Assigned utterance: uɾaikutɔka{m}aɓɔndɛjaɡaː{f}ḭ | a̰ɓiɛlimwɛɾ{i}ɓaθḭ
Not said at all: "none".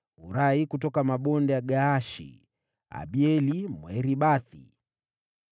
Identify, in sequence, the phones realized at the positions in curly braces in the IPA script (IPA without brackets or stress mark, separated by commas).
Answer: m, ʃ, i